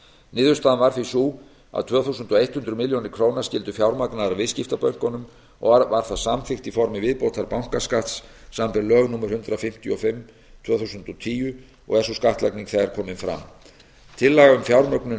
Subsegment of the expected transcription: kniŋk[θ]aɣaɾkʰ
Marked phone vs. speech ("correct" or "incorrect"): correct